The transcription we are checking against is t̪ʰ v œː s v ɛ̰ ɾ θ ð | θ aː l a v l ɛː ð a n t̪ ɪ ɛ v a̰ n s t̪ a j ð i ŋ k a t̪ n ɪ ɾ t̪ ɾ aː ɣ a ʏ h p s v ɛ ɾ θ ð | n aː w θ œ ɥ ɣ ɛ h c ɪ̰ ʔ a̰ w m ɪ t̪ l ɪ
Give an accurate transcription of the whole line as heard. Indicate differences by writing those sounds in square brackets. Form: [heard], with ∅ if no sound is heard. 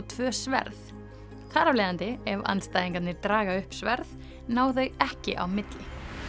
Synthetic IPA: t̪ʰ v œː s v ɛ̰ ɾ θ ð | θ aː [ɾ] a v l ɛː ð a n t̪ ɪ ɛ v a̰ n s t̪ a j ð i ŋ k a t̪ n ɪ ɾ t̪ ɾ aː ɣ a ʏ h p s v ɛ ɾ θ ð | n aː w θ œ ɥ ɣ ɛ h c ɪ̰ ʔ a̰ w m ɪ t̪ l ɪ